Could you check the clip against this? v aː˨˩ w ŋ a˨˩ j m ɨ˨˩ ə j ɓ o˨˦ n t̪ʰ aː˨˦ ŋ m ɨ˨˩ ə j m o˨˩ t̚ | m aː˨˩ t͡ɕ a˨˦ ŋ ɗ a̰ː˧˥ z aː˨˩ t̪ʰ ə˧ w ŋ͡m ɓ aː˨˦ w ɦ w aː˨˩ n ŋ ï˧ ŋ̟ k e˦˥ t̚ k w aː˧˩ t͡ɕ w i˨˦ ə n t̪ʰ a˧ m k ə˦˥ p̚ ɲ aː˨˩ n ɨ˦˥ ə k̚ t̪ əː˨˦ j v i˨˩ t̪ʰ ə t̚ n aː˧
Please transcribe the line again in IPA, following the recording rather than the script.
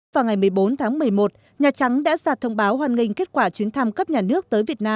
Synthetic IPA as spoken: v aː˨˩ w ŋ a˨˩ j m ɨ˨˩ ə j ɓ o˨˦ n t̪ʰ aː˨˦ ŋ m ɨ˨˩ ə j m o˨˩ t̚ | ɲ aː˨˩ t͡ɕ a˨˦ ŋ ɗ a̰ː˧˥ z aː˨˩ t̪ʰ ə˧ w ŋ͡m ɓ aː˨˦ w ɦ w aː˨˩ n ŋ ï˨˩ ŋ̟ k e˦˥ t̚ k w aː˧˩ t͡ɕ w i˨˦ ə n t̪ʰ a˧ m k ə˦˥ p̚ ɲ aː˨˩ n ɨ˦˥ ə k̚ t̪ əː˨˦ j v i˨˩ ə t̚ n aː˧

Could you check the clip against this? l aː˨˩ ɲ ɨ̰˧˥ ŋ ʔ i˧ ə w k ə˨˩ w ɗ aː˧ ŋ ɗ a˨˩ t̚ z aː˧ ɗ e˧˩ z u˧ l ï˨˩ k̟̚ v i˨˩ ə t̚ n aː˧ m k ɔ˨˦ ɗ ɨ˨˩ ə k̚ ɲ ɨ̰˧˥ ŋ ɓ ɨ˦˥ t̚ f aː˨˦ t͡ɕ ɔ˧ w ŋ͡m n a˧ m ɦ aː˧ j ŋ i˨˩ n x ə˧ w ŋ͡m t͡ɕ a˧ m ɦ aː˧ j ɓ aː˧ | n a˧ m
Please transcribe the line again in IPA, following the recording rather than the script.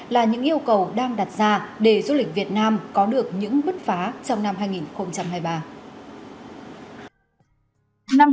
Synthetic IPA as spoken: l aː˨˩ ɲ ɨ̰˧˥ ŋ ʔ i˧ ə w k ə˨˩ w ɗ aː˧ ŋ ɗ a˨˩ t̚ z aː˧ ɗ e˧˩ z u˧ l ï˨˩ k̟̚ v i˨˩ ə t̚ n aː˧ m k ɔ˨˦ ɗ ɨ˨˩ ə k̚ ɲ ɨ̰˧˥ ŋ ɓ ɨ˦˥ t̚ f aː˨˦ t͡ɕ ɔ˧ w ŋ͡m n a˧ m ɦ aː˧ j ŋ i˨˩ n x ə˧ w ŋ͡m t͡ɕ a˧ m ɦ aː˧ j ɓ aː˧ | n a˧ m

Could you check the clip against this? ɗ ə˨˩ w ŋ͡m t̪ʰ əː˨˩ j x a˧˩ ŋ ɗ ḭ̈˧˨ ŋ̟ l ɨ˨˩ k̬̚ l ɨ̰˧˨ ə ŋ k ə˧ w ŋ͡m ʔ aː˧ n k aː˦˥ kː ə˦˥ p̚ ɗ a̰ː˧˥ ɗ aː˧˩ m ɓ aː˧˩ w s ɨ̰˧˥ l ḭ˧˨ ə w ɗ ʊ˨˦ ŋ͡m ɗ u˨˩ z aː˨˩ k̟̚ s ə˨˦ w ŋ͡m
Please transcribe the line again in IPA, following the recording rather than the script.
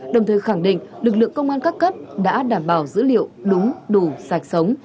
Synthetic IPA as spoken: ɗ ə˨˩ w ŋ͡m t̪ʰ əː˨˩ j x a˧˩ ŋ ɗ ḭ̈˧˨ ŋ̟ l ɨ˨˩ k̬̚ l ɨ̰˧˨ ə ŋ k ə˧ w ŋ͡m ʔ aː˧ n k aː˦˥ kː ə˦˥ p̚ ɗ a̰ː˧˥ ɗ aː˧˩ m ɓ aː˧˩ w z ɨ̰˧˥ l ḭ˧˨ ə w ɗ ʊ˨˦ ŋ͡m ɗ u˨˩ z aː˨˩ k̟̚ s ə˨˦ w ŋ͡m

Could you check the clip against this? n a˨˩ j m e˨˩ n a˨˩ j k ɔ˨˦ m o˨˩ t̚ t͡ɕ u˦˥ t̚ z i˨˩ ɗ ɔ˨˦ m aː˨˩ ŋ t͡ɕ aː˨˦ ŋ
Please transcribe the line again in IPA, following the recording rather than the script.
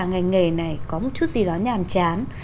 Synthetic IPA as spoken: ŋ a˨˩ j ŋ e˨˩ n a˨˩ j k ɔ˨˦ m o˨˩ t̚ t͡ɕ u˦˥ t̚ z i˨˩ ɗ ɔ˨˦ ɲ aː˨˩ m t͡ɕ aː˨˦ n

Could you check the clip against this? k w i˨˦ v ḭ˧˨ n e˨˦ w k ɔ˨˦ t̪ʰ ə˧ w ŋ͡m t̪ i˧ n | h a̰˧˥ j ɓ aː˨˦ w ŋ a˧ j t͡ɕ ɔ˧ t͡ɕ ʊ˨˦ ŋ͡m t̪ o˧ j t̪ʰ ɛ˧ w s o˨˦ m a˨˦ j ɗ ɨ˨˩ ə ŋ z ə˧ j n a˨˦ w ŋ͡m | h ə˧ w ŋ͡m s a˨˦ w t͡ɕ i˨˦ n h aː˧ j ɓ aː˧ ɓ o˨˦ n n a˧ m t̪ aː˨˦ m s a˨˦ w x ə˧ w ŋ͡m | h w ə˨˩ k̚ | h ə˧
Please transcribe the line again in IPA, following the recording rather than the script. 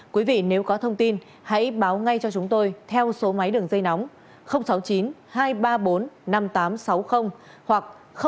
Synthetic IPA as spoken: k w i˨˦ v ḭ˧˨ n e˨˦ w k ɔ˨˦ t̪ʰ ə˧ w ŋ͡m t̪ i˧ n | h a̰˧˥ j ɓ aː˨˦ w ŋ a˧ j t͡ɕ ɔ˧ t͡ɕ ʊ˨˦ ŋ͡m t̪ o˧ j t̪ʰ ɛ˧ w s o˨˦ m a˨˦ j ɗ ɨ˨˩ ə ŋ z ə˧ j n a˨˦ w ŋ͡m | x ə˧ w ŋ͡m s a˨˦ w t͡ɕ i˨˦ n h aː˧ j ɓ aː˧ ɓ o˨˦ n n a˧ m t̪ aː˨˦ m s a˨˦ w x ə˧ w ŋ͡m | h w a˨˩ k̚ | x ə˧

